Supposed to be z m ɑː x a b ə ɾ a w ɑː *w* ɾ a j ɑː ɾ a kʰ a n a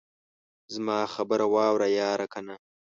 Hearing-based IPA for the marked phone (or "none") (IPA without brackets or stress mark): w